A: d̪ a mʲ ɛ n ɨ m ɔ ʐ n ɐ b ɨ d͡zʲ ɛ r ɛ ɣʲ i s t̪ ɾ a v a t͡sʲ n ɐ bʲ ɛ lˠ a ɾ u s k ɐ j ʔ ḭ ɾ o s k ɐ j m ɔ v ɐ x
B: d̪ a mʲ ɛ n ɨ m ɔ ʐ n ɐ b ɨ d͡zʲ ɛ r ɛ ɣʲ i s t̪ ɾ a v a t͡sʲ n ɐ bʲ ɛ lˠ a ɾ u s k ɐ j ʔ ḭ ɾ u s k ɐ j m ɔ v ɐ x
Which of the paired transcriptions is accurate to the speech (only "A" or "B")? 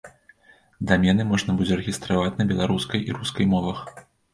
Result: B